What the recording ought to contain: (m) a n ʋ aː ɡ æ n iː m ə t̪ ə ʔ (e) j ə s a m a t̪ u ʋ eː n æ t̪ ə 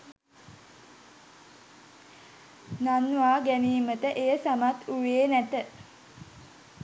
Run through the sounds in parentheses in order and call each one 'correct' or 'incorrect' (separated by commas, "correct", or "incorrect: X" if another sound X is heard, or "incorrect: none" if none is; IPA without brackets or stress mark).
incorrect: n, correct